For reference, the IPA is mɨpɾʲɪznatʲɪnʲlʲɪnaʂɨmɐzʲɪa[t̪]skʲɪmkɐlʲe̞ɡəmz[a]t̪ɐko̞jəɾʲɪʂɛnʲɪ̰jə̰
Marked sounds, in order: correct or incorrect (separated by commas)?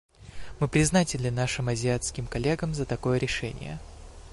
correct, incorrect